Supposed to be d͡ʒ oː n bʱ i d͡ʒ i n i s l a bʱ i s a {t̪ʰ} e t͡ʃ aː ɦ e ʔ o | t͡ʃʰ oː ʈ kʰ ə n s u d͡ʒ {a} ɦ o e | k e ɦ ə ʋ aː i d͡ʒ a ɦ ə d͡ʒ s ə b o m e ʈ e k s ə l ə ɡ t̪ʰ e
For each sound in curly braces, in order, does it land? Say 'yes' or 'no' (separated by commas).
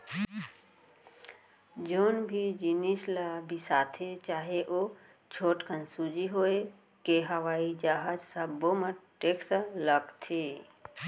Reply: yes, no